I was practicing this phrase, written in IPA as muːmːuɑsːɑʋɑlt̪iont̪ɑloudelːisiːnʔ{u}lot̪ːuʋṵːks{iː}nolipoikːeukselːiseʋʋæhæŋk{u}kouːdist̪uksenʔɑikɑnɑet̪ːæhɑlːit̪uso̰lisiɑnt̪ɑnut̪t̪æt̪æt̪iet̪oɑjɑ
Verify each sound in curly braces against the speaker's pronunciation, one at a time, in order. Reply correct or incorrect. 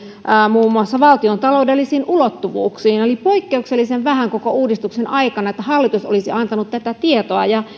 correct, correct, incorrect: o

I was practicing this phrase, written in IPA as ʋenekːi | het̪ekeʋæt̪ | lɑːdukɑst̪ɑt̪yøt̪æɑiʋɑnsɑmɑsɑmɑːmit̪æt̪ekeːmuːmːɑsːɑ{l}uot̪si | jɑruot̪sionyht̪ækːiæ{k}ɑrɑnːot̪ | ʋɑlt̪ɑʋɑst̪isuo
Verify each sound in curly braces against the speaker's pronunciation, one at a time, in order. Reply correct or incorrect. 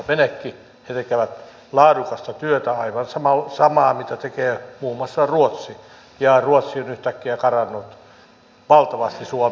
incorrect: r, correct

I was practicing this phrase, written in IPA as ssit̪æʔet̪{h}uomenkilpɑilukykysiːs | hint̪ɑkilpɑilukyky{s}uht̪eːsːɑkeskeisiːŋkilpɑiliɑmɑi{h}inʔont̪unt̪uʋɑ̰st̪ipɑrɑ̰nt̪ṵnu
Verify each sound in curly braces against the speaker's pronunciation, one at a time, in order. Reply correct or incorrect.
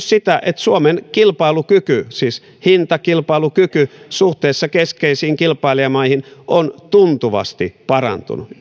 incorrect: s, correct, correct

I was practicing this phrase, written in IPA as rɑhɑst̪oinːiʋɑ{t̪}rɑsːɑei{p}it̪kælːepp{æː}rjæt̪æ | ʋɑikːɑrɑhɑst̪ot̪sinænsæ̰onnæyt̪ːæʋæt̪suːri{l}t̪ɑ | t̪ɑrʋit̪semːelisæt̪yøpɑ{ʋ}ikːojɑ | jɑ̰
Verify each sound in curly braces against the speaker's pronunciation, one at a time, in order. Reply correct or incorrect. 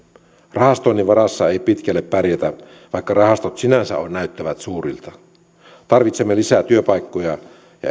incorrect: none, correct, incorrect: æ, correct, incorrect: none

